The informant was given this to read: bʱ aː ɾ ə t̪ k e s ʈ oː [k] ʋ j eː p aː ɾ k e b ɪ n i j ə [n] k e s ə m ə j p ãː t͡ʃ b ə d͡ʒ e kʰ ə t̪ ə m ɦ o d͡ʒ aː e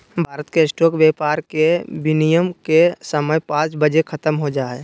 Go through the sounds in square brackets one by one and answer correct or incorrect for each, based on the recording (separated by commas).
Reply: correct, incorrect